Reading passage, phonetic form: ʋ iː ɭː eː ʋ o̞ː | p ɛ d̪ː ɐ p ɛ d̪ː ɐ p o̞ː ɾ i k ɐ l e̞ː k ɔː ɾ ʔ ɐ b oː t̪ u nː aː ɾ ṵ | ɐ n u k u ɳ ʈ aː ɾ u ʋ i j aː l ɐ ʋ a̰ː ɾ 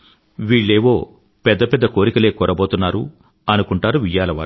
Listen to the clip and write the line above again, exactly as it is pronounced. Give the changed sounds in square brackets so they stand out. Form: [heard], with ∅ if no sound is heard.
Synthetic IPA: ʋ iː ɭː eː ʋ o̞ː | p ɛ d̪ː ɐ p ɛ d̪ː ɐ [k] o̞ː ɾ i k ɐ l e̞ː k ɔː ɾ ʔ ɐ b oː t̪ u nː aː ɾ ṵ | ɐ n u k u ɳ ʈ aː ɾ u ʋ i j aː l ɐ ʋ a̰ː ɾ